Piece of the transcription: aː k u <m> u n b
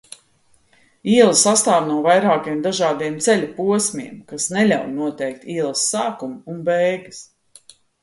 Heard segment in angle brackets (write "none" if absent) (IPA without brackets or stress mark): m